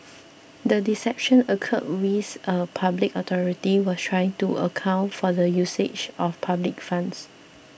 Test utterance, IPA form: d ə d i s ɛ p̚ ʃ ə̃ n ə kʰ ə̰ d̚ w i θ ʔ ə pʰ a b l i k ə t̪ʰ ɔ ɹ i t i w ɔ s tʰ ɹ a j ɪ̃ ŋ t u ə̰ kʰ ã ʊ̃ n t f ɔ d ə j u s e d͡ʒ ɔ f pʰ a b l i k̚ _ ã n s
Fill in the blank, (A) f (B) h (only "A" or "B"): A